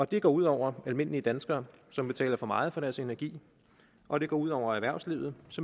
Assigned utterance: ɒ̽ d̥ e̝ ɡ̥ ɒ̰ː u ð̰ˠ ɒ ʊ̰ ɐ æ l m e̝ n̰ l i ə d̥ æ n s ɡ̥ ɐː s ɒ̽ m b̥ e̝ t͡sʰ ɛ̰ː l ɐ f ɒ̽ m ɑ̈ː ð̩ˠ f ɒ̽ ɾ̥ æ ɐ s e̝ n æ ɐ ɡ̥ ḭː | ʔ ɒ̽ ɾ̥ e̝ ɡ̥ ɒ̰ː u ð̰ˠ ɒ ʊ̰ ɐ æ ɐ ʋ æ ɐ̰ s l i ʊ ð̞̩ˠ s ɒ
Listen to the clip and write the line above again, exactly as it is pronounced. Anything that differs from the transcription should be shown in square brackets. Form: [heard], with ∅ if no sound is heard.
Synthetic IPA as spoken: ɒ̽ d̥ e̝ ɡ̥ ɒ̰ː u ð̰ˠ ɒ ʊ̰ ɐ æ l m e̝ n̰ l i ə d̥ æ n s ɡ̥ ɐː s ɒ̽ m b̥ e̝ t͡sʰ ɛ̰ː l ɐ f ɒ̽ m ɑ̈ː ð̩ˠ f ɒ̽ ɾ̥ æ ɐ s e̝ n æ ɐ ɡ̥ ḭː | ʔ ɒ̽ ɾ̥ e̝ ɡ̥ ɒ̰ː u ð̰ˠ ɒ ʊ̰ ɐ æ ɐ ʋ æ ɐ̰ s l i ʊ ð̞̩ˠ s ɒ